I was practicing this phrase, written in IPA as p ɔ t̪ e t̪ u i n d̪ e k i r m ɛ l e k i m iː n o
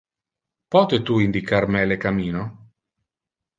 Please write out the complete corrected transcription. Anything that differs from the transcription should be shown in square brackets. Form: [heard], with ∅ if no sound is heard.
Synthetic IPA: p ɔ t̪ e t̪ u i n d̪ [i] k [a] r m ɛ l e k [a] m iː n o